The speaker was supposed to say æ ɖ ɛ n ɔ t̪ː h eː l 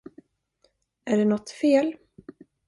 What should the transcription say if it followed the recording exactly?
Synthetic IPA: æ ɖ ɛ n ɔ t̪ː f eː l